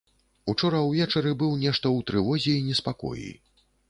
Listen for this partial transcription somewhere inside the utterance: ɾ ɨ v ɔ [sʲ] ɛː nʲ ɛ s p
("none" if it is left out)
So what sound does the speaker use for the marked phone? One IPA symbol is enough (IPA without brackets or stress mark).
zʲ